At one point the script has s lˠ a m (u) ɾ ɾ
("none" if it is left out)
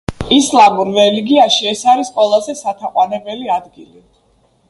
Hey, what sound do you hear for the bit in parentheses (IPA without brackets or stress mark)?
u